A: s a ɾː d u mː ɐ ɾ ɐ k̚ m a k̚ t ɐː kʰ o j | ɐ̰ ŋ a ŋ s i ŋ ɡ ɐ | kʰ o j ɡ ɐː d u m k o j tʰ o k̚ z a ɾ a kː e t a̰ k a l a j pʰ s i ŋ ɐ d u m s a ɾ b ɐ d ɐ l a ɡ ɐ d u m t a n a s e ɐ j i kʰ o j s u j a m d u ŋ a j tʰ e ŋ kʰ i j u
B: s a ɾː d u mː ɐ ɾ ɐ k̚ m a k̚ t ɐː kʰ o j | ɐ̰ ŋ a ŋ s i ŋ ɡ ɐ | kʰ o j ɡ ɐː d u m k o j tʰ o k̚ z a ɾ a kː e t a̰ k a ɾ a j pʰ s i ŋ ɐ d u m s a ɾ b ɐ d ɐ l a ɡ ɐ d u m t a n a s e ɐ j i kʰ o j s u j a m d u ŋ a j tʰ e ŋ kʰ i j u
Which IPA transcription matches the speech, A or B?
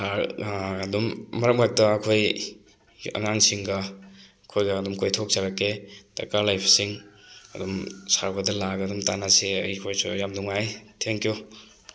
A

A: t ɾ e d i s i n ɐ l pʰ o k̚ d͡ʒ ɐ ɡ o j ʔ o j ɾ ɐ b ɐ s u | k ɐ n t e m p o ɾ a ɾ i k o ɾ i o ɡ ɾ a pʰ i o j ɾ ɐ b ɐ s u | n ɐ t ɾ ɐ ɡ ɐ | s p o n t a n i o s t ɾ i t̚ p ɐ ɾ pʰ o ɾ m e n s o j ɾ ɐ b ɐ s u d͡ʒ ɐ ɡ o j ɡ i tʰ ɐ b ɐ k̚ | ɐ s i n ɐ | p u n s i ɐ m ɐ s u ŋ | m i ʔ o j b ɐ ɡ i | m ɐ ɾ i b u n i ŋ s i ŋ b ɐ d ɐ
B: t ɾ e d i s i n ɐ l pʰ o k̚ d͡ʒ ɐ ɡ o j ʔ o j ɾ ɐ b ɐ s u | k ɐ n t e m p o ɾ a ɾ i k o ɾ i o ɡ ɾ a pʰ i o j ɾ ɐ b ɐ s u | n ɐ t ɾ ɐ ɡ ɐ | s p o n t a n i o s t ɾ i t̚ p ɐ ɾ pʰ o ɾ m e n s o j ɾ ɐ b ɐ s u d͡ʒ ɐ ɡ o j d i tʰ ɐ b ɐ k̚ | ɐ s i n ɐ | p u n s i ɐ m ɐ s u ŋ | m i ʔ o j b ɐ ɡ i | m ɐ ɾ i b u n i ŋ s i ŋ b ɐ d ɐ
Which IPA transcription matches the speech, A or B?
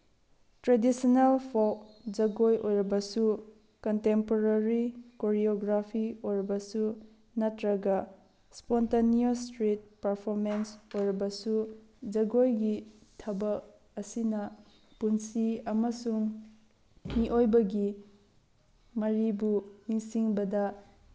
A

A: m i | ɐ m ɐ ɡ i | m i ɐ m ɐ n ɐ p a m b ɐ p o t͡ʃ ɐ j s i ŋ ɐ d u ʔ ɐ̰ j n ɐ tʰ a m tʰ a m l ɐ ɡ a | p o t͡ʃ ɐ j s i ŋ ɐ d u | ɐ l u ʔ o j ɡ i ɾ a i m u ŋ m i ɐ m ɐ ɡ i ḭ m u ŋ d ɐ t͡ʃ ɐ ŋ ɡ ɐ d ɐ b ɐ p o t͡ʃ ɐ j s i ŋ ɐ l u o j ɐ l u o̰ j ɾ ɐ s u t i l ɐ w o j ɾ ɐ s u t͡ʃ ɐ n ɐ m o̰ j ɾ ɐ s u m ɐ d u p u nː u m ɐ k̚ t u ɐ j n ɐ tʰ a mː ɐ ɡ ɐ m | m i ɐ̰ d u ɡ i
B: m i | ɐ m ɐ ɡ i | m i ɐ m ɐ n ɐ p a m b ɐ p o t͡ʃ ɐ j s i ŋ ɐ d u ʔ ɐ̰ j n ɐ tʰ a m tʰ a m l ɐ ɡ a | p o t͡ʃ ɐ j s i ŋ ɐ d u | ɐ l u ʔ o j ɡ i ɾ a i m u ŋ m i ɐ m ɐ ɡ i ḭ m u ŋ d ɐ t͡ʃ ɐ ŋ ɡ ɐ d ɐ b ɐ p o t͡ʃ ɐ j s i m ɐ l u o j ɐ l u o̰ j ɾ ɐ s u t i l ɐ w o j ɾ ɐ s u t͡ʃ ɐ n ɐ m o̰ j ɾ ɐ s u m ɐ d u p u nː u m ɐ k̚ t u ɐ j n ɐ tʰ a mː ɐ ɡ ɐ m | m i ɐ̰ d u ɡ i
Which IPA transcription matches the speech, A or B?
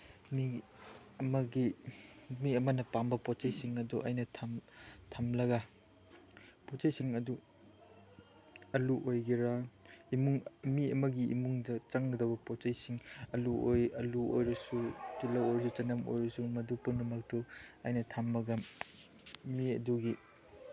A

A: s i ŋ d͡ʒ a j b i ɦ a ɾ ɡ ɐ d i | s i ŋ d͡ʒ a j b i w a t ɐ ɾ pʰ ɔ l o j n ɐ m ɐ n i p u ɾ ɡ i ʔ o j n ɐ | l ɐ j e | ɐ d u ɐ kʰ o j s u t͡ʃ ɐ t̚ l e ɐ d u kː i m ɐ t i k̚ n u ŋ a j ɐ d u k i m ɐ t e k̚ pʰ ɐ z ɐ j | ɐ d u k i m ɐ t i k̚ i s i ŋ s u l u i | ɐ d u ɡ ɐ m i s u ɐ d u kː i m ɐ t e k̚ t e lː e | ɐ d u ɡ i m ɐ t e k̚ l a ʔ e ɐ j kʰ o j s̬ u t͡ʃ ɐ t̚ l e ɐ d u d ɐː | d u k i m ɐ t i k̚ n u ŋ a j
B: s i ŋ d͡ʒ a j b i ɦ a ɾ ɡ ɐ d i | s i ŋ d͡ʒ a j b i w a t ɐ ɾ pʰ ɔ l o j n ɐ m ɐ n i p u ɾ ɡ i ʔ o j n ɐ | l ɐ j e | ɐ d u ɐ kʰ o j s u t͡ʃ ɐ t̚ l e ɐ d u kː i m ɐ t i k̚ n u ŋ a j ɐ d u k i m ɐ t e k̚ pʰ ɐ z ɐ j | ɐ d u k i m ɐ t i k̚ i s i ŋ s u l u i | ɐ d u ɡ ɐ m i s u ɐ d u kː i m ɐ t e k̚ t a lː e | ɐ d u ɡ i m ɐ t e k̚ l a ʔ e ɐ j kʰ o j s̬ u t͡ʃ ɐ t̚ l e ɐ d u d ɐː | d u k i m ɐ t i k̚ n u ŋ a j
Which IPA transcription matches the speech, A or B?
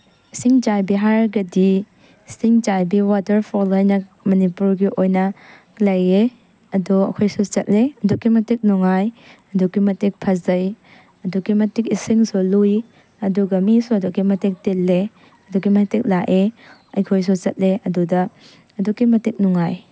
A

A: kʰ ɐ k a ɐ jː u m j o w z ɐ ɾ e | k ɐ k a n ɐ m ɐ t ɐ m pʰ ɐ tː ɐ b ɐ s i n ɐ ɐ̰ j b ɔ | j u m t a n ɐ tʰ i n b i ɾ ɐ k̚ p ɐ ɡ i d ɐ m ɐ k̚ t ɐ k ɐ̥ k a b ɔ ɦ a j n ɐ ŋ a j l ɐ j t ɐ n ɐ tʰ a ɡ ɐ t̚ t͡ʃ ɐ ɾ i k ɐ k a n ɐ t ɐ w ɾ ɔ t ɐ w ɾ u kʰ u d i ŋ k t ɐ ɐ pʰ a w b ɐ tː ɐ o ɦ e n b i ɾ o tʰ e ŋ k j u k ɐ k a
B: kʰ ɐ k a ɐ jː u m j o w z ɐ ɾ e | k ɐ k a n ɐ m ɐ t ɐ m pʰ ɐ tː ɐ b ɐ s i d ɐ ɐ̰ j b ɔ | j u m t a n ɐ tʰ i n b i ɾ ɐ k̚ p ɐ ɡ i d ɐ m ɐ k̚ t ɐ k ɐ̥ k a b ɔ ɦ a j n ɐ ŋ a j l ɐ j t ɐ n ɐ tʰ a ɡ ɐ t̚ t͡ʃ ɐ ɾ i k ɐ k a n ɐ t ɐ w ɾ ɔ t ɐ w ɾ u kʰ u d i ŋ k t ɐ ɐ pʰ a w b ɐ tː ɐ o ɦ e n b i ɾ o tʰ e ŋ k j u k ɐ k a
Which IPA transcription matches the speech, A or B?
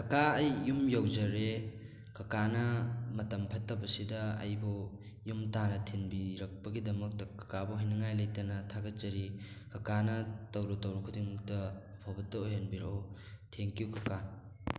B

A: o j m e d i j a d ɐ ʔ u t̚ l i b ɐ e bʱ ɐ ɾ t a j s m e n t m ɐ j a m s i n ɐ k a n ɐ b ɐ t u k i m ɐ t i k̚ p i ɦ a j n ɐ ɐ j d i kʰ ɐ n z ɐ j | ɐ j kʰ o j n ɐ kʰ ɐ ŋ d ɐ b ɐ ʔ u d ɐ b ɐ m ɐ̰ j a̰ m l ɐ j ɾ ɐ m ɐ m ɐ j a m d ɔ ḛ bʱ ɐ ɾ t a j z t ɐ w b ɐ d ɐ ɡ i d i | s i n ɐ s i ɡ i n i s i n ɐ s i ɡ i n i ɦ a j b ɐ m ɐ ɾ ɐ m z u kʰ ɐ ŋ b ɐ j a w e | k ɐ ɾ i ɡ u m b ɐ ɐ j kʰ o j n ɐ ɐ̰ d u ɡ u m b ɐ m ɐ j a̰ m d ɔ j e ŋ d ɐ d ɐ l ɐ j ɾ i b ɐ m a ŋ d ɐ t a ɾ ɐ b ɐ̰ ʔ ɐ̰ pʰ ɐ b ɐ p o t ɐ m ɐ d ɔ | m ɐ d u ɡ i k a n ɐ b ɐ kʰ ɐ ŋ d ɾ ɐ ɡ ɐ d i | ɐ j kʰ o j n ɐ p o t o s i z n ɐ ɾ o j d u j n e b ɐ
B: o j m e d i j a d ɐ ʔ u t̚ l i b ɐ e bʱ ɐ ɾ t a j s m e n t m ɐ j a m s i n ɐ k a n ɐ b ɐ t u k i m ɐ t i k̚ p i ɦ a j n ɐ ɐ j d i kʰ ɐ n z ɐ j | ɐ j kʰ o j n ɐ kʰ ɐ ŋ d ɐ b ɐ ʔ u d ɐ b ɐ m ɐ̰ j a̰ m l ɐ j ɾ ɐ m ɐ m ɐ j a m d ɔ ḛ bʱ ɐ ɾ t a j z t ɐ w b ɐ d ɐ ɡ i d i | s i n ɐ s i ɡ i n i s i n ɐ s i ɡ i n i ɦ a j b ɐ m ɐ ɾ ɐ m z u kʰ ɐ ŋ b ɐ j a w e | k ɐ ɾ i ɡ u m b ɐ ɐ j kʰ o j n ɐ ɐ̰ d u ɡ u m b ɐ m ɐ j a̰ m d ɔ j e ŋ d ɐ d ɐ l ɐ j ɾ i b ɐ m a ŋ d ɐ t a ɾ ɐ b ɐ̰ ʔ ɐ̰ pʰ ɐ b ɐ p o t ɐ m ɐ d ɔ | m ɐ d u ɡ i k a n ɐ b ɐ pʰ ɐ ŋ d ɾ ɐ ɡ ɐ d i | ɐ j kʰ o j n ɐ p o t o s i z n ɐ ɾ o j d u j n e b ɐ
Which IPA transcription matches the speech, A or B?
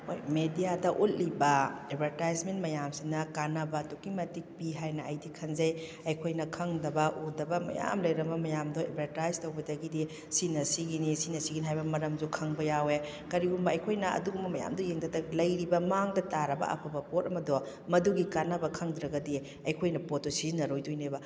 A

